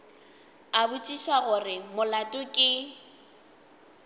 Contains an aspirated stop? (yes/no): no